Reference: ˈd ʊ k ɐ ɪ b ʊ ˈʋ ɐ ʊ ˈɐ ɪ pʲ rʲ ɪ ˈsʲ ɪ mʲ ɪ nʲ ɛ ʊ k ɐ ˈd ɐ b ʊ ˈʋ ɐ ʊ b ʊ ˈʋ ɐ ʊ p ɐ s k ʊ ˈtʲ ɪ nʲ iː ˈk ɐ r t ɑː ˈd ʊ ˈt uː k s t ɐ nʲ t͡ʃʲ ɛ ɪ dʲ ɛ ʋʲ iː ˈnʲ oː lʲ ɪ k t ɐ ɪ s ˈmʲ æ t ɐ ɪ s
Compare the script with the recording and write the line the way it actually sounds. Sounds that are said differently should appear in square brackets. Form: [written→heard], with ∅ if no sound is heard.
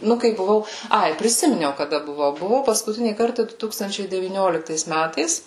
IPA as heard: [ˈd→ˈn] ʊ k ɐ ɪ b ʊ ˈʋ ɐ ʊ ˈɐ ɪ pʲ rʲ ɪ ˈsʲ ɪ mʲ ɪ nʲ ɛ ʊ k ɐ ˈd ɐ b ʊ ˈʋ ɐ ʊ b ʊ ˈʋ ɐ ʊ p ɐ s k ʊ ˈtʲ ɪ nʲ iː ˈk ɐ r t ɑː ˈd ʊ ˈt uː k s t ɐ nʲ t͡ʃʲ ɛ ɪ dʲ ɛ ʋʲ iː ˈnʲ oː lʲ ɪ k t ɐ ɪ s ˈmʲ æ t ɐ ɪ s